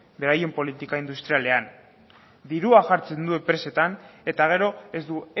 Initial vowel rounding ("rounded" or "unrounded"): unrounded